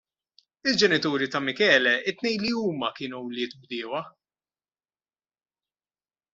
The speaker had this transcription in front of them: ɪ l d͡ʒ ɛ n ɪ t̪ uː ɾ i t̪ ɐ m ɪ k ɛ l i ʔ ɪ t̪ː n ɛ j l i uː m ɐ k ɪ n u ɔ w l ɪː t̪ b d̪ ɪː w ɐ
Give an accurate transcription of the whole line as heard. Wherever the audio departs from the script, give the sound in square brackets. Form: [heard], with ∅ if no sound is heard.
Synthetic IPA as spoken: ɪ l d͡ʒ ɛ n ɪ t̪ uː ɾ i t̪ ɐ m ɪ k [ɛː] l [ɛ] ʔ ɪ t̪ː n ɛ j l i uː m ɐ k [ɪː] n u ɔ w l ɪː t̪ b d̪ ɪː w ɐ